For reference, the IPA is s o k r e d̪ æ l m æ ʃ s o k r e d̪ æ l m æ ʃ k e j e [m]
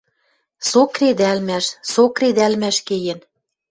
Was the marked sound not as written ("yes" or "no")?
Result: yes